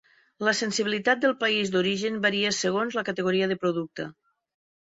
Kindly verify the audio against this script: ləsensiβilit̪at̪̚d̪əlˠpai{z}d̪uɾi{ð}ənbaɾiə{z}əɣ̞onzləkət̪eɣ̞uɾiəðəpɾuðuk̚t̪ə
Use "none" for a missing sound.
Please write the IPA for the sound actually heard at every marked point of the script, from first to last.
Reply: z, ʒ, s

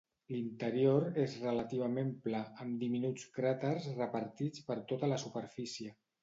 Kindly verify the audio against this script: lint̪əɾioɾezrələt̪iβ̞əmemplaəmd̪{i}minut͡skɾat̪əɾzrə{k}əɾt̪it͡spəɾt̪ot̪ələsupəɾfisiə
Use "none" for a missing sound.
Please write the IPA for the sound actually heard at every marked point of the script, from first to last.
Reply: i, p

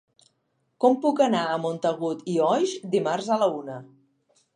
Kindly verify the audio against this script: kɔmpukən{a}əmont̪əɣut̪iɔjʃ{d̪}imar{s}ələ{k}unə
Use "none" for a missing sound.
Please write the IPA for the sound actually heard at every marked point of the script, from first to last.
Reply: a, d̪, z, none

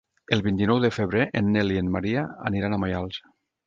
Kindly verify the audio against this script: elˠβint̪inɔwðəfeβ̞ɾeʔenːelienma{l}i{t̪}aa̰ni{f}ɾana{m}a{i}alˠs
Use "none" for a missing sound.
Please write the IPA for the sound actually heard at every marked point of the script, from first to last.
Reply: ɾ, none, none, m, j

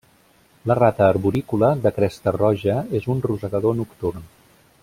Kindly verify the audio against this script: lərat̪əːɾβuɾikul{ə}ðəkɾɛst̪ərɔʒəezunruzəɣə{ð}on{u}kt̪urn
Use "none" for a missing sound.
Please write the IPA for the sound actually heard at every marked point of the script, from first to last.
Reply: ə, ð, u

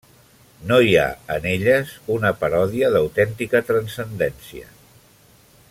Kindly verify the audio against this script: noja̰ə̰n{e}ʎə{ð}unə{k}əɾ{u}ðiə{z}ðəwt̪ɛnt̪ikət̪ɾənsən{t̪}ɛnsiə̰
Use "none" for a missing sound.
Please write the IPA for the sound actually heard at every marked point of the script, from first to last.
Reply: e, z, p, ɔ, none, d̪

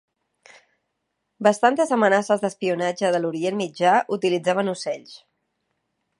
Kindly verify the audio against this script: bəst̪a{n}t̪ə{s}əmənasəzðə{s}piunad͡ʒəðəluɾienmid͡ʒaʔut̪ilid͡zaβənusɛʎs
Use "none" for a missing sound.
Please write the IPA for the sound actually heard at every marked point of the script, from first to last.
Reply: n, z, s

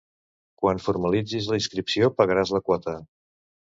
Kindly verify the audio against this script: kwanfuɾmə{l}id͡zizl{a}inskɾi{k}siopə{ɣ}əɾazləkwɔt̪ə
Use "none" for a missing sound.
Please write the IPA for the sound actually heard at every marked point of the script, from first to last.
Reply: l, ə, p, ɣ

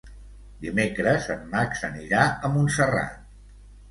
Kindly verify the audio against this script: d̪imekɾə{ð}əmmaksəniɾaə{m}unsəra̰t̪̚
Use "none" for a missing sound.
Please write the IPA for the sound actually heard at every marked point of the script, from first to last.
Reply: z, m

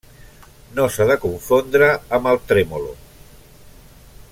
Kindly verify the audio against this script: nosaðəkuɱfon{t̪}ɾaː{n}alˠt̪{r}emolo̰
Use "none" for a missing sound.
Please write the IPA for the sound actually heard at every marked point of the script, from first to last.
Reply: d̪, m, ɾ

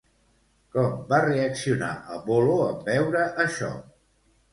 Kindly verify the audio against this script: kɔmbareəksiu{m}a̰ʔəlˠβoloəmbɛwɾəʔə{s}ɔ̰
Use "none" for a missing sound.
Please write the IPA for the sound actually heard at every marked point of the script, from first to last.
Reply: n, ʃ

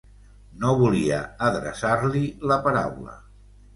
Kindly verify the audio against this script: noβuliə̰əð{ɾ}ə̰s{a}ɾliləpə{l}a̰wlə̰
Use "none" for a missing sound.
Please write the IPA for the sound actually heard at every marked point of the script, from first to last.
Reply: ɾ, a, ɾ

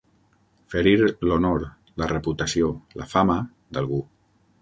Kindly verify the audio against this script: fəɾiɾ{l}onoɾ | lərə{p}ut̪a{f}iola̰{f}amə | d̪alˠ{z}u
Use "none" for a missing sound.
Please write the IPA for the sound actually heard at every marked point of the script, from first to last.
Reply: l, p, s, f, ɣ

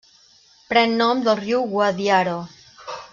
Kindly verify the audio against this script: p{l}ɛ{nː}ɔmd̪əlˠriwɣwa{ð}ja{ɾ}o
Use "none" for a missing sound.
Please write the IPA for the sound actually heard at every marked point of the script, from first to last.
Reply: ɾ, nː, ð, ɾ

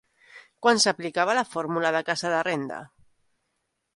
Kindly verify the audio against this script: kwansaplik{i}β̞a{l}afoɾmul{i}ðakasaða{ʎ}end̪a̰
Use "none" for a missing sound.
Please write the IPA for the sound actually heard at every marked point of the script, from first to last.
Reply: a, l, a, r

